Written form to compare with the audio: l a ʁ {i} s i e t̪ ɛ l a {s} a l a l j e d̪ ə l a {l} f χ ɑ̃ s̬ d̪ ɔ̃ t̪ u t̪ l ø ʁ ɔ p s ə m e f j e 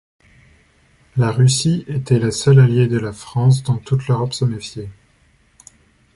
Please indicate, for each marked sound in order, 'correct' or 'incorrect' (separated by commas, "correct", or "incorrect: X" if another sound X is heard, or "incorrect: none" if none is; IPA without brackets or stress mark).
incorrect: y, correct, incorrect: none